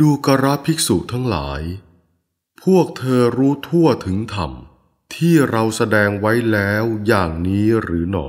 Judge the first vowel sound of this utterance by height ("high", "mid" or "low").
high